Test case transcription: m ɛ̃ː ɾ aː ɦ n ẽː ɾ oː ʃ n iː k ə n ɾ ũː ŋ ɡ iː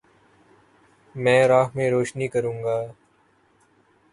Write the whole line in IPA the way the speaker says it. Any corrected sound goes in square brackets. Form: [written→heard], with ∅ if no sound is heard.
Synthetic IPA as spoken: m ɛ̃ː ɾ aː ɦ [n→m] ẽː ɾ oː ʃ n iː k ə [n→∅] ɾ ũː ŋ ɡ [iː→aː]